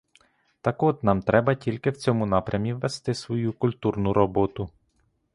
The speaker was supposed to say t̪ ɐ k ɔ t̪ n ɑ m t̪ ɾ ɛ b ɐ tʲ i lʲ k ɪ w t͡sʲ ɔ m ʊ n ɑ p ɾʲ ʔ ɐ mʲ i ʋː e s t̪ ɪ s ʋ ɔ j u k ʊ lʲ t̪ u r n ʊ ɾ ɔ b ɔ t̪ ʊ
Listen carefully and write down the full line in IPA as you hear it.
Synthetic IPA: t̪ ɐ k ɔ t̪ n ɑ m t̪ ɾ ɛ b ɐ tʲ i lʲ k ɪ w t͡sʲ ɔ m ʊ n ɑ p ɾʲ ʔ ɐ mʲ i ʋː e s t̪ ɪ s ʋ ɔ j u k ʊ lʲ t̪ u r n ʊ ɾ ɔ b ɔ t̪ ʊ